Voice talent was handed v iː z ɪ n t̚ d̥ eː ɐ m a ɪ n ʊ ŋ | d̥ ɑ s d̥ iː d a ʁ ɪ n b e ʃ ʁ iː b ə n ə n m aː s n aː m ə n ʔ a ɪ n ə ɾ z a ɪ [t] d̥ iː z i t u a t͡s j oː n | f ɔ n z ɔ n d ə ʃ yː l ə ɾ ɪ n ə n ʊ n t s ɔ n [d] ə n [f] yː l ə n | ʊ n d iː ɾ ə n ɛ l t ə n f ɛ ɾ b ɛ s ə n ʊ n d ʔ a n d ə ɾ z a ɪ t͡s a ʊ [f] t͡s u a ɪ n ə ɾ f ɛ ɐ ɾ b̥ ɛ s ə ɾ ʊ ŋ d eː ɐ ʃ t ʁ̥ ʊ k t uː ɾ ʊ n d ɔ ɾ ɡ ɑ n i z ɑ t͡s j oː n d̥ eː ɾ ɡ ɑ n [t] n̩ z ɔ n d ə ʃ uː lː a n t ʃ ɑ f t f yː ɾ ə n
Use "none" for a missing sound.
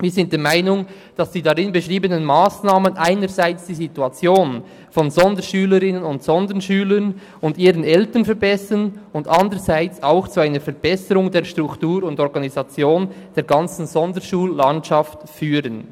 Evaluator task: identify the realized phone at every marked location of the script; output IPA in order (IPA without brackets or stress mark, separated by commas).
t͡s, d, ʃ, x, t͡s